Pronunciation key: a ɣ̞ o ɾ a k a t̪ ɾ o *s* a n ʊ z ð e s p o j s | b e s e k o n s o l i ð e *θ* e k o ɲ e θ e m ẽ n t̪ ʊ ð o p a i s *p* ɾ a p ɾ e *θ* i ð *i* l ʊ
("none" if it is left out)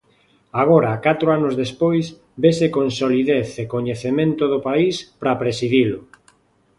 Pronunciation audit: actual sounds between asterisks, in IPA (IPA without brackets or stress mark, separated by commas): none, θ, p, s, i